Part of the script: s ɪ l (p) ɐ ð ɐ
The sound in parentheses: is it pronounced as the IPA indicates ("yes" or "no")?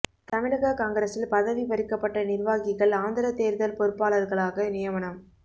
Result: yes